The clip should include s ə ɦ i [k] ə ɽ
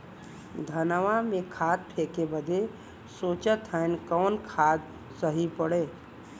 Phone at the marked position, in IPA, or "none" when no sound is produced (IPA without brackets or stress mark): p